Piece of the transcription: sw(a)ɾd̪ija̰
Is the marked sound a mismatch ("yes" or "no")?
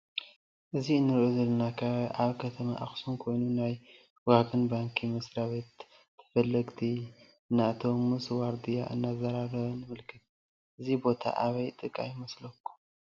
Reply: no